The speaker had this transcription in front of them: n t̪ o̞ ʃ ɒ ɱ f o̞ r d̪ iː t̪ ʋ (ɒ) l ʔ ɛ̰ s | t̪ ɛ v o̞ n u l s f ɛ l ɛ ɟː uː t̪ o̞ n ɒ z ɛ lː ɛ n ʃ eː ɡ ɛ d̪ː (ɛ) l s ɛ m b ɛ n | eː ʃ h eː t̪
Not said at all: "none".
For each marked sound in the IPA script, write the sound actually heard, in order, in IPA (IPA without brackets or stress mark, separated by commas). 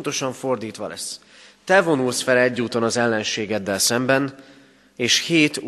ɒ, ɛ